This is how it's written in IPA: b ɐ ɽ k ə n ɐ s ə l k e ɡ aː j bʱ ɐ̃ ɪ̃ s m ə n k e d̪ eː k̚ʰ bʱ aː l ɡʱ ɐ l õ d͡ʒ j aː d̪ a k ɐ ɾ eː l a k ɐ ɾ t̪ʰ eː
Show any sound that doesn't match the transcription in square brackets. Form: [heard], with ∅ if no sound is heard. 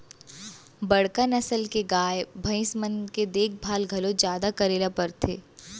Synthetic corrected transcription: b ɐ ɽ k ə n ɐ s ə l k e ɡ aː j bʱ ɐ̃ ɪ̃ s m ə n k e d̪ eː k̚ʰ bʱ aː l ɡʱ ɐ l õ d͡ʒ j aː d̪ a k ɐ ɾ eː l a [p] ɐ ɾ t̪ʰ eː